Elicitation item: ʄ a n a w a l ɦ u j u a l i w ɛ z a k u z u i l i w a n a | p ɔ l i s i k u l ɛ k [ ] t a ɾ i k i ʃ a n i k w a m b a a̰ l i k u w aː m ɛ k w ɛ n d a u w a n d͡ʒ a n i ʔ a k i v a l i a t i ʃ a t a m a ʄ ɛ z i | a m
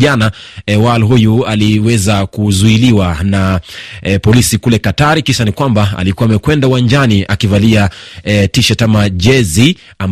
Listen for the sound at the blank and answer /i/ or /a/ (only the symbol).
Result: a